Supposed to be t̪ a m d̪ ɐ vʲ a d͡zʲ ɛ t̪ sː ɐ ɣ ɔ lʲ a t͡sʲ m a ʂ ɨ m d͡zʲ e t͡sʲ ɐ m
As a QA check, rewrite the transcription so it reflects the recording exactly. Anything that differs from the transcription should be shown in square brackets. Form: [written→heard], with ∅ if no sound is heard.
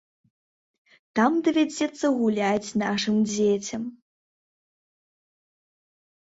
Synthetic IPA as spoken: t̪ a m d̪ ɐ vʲ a d͡zʲ ɛ t̪ sː ɐ ɣ [ɔ→u] lʲ a t͡sʲ [m→n] a ʂ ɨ m d͡zʲ e t͡sʲ ɐ m